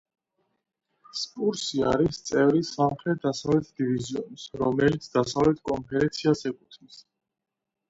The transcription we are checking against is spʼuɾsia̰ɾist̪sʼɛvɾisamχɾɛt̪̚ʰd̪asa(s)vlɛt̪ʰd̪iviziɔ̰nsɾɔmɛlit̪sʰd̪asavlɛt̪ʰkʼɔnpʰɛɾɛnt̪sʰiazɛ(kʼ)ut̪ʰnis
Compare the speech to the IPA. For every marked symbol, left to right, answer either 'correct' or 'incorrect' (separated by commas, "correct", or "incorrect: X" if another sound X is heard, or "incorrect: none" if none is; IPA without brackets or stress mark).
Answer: incorrect: none, correct